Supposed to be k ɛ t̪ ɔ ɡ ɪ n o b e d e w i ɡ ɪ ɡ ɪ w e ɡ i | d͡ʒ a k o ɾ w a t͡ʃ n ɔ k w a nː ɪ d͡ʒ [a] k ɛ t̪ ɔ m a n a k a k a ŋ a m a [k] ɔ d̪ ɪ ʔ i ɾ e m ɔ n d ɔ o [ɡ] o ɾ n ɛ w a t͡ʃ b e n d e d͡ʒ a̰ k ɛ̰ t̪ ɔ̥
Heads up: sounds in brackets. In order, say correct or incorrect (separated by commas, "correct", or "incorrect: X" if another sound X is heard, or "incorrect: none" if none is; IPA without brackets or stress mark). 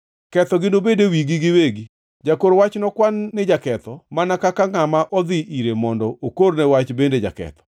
correct, incorrect: ʔ, incorrect: k